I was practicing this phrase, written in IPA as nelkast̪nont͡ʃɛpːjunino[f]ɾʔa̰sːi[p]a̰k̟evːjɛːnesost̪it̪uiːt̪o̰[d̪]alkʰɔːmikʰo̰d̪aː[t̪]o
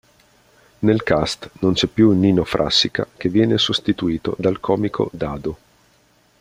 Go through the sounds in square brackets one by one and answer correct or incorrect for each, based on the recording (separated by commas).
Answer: correct, incorrect, correct, incorrect